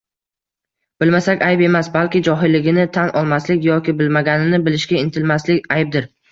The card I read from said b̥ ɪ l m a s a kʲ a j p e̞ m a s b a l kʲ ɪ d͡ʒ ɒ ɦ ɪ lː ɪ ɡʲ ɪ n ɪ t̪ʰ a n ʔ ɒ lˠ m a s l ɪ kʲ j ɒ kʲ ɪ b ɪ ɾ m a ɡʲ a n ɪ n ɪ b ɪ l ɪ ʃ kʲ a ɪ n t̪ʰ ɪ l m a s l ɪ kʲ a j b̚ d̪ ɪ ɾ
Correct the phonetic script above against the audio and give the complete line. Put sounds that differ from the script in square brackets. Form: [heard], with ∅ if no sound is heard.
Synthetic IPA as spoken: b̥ ɪ l m a s a kʲ a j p e̞ m a s b a l kʲ ɪ d͡ʒ ɒ ɦ ɪ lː ɪ ɡʲ ɪ n ɪ t̪ʰ a n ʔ ɒ lˠ m a s l ɪ kʲ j ɒ kʲ ɪ b ɪ [l] m a ɡʲ a n ɪ n ɪ b ɪ l ɪ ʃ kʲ a ɪ n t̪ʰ ɪ l m a s l ɪ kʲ a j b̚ d̪ ɪ ɾ